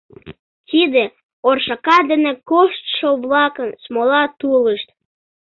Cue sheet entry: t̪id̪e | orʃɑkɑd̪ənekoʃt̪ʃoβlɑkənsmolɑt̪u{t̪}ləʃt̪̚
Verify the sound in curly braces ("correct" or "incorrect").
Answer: incorrect